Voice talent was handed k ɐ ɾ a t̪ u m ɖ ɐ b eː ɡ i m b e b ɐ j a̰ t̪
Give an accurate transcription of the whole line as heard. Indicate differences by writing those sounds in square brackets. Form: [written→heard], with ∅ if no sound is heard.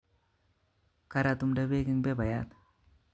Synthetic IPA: k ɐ ɾ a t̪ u m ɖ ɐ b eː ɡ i [m→ŋ] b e b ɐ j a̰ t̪